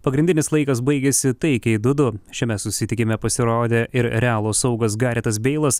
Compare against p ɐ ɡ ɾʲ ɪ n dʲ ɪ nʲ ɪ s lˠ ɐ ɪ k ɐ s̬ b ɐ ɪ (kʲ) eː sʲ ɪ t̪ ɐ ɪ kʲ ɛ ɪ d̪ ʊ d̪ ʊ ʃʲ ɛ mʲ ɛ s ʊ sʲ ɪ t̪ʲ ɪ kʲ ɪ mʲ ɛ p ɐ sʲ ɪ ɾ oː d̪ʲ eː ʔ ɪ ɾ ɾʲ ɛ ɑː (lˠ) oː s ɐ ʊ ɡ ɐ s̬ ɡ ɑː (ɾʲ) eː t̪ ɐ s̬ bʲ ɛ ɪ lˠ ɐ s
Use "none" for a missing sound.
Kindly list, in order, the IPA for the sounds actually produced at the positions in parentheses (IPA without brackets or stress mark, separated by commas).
ɡʲ, lˠ, ɾʲ